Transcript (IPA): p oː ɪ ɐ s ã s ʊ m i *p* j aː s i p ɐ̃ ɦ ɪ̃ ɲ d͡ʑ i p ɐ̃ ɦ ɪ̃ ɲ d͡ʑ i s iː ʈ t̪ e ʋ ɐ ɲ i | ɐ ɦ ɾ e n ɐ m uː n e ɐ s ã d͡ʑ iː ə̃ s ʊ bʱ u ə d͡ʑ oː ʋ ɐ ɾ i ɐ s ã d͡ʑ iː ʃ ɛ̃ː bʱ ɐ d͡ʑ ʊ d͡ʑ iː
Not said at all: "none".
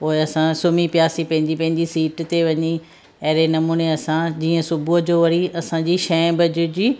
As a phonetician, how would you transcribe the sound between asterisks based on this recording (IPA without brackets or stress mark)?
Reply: p